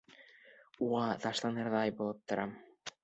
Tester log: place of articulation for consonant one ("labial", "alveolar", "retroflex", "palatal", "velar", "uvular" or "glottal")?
uvular